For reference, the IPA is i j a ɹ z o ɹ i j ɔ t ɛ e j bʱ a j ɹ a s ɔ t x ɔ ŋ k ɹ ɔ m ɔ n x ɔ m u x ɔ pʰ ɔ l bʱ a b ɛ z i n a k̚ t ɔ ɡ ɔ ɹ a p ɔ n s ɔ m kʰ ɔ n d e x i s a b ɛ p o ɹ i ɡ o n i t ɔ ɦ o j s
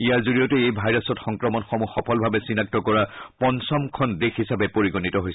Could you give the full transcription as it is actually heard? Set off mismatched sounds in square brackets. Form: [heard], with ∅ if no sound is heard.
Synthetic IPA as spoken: i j a ɹ z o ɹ i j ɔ t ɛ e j bʱ a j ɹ a s ɔ t x ɔ ŋ k ɹ ɔ m ɔ n x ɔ m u x ɔ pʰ ɔ l bʱ a b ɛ [s] i n a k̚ t ɔ [k] ɔ ɹ a p ɔ n s ɔ m kʰ ɔ n d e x i s a b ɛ p o ɹ i ɡ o n i t ɔ ɦ o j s